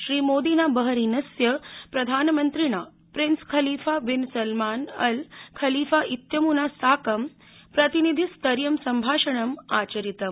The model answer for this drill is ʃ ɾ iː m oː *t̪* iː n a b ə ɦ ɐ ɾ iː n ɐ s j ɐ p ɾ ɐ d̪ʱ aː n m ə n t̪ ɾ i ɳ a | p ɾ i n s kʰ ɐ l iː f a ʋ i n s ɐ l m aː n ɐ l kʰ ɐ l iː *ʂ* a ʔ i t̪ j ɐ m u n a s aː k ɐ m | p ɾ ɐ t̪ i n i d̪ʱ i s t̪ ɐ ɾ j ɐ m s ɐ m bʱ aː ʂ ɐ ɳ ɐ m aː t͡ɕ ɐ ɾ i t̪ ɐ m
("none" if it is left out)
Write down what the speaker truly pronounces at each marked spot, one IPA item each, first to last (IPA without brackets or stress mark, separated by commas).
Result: d̪, f